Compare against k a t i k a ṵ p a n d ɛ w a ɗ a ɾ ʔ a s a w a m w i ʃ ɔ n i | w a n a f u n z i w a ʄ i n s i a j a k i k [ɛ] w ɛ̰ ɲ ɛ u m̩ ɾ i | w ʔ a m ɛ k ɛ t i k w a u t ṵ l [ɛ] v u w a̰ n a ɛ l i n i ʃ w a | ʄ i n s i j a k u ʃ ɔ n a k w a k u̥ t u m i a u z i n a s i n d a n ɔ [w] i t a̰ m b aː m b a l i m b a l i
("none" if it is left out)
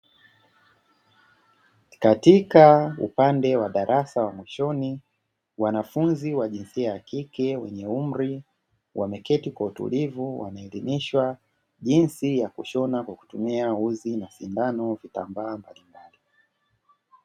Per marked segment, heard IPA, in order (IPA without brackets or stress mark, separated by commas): ɛ, i, v